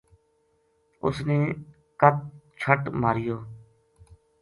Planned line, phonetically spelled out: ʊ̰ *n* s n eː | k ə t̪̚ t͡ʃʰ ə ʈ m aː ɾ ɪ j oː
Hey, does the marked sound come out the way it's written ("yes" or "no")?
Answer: no